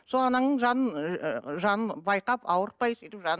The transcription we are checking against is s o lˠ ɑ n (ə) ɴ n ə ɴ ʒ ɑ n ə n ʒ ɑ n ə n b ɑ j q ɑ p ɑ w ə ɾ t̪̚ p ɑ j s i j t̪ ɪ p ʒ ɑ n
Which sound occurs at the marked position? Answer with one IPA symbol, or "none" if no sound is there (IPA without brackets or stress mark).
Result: ɑ